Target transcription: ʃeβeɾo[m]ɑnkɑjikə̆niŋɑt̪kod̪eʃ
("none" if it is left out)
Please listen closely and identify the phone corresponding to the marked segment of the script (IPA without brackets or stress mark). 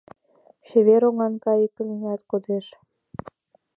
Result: ŋ